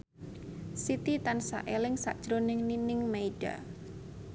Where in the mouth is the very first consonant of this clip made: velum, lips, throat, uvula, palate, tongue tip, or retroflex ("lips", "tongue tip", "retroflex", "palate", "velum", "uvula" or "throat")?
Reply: tongue tip